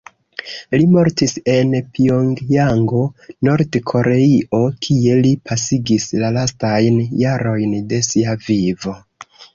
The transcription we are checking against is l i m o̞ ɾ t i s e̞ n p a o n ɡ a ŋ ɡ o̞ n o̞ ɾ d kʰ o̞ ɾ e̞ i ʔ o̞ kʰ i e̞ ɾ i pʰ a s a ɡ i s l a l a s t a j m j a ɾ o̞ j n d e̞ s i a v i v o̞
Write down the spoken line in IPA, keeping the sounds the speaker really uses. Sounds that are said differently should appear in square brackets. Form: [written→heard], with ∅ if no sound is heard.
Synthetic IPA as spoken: l i m o̞ ɾ t i s e̞ n p [a→i] o [n→ŋ] ɡ a ŋ ɡ o̞ n o̞ ɾ d kʰ o̞ ɾ e̞ i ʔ o̞ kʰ i e̞ [ɾ→l] i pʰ a s [a→i] ɡ i s l a l a s t a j [m→n] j a ɾ o̞ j n d e̞ s i a v i v o̞